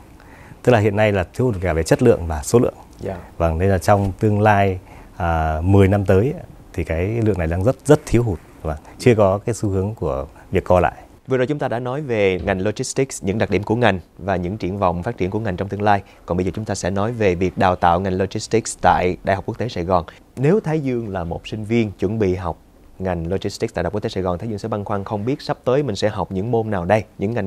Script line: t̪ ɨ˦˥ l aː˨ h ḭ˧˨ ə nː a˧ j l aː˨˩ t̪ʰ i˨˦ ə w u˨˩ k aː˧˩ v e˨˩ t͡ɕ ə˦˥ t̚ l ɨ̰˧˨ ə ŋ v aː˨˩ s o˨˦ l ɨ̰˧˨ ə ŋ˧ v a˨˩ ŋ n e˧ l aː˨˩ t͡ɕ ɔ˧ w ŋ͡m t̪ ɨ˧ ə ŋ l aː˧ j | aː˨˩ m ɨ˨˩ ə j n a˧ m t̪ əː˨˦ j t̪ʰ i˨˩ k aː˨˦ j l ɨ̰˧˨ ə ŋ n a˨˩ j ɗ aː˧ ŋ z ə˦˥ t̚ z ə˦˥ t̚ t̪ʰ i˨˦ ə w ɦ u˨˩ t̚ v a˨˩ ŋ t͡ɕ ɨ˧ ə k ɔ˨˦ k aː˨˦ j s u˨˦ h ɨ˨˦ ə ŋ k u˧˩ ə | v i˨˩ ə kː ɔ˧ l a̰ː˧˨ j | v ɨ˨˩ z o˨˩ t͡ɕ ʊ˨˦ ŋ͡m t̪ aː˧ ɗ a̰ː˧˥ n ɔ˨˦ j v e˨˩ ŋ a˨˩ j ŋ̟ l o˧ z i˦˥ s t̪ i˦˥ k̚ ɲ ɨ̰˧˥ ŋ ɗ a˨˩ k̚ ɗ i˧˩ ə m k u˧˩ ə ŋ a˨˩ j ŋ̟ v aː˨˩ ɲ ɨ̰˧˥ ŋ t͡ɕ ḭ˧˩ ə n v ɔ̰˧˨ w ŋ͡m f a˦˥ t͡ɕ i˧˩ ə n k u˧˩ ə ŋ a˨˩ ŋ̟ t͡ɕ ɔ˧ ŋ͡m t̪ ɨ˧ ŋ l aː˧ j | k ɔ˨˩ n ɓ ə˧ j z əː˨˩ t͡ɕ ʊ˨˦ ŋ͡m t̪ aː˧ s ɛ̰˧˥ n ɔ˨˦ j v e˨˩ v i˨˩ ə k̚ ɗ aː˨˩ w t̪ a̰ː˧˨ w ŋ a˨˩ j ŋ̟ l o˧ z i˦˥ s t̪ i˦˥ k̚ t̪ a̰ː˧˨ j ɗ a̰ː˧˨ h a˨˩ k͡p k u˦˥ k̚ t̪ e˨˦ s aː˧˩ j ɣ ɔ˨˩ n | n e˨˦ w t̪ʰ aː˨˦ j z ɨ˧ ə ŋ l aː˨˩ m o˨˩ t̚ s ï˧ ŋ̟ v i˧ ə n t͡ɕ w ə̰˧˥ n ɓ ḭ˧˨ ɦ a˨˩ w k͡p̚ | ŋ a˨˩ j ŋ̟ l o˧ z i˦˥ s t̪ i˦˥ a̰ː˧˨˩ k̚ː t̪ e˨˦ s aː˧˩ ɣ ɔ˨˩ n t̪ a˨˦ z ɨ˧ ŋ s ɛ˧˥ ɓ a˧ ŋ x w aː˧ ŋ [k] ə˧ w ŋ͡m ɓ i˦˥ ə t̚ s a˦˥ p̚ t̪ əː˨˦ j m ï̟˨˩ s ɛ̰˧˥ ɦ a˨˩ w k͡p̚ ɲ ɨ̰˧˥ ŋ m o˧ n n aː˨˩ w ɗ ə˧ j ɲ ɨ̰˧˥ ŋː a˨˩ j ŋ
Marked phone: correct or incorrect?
incorrect: x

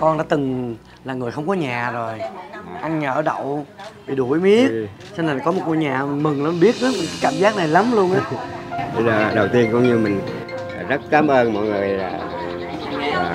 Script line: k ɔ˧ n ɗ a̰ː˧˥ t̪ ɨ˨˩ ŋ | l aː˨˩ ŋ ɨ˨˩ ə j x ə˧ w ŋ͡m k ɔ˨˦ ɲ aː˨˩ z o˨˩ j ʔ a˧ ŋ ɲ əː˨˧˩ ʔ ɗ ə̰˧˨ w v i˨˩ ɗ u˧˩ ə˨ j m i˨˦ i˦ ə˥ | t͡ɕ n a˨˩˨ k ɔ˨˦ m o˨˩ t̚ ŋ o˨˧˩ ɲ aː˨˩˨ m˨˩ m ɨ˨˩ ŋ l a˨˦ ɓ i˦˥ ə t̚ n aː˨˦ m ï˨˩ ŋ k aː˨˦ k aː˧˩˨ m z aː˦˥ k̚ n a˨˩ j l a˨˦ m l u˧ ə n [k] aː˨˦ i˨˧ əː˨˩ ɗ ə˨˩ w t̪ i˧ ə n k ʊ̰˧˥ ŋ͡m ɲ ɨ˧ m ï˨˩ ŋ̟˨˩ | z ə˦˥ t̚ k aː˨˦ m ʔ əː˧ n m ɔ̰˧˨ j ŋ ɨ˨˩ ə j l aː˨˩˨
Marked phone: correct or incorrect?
incorrect: ʔ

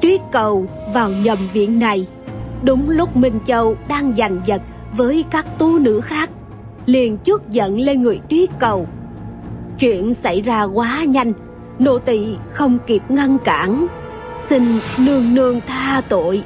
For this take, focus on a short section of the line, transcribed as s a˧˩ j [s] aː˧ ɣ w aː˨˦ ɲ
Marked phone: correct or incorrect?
incorrect: z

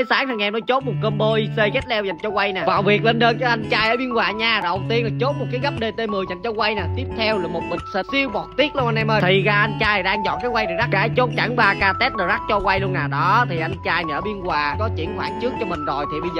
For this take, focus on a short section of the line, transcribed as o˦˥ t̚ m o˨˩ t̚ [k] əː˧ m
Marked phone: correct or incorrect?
correct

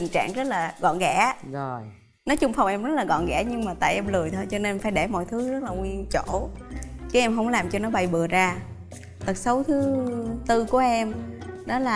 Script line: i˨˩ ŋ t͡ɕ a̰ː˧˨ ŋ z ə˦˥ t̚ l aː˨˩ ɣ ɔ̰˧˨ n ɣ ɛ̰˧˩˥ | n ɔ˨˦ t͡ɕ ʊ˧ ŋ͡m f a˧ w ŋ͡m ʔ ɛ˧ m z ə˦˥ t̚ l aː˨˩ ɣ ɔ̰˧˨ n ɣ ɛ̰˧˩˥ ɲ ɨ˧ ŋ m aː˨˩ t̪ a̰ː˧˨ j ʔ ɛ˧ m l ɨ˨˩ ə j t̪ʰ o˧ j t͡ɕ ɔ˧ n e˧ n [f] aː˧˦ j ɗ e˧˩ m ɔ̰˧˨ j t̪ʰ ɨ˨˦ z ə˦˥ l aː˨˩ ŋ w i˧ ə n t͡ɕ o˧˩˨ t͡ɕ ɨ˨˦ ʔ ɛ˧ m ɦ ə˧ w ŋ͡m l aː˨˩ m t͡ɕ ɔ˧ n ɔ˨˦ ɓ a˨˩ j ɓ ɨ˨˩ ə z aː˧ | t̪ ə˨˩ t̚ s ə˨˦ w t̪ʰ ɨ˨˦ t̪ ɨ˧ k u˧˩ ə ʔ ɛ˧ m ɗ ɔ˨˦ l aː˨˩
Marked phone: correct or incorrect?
correct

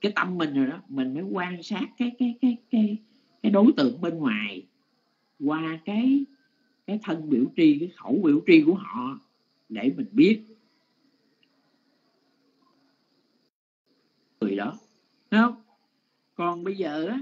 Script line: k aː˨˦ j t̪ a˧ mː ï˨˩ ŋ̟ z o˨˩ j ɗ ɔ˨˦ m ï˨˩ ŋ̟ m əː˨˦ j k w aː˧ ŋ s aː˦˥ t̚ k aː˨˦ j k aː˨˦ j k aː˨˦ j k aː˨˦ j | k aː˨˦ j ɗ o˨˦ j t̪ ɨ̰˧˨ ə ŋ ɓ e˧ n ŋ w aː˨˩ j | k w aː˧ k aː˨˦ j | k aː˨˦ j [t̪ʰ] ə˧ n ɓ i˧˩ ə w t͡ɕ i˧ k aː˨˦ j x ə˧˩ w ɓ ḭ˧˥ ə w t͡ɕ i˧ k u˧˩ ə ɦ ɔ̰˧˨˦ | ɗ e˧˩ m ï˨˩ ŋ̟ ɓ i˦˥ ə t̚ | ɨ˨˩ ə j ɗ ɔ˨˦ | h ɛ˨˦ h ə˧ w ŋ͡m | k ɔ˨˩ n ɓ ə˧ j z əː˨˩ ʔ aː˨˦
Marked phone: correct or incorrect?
correct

